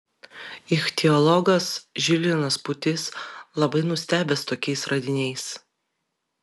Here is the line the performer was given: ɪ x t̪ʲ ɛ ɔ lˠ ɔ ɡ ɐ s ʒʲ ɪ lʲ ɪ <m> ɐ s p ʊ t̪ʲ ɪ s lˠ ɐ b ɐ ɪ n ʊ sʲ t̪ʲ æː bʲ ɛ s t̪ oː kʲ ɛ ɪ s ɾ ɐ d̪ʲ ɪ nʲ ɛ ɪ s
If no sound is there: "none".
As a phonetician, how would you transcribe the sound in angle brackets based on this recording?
n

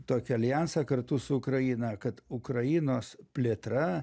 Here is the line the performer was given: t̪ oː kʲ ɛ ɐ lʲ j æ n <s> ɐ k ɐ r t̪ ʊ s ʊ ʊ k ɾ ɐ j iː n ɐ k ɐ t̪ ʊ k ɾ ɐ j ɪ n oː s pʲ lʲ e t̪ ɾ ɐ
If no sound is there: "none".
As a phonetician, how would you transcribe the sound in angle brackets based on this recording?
s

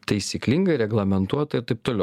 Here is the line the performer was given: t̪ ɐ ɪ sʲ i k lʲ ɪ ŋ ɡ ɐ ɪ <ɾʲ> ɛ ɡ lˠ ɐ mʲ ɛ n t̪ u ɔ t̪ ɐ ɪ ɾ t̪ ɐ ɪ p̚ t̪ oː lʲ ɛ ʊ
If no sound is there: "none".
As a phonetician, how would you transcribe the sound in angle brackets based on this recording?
ɾʲ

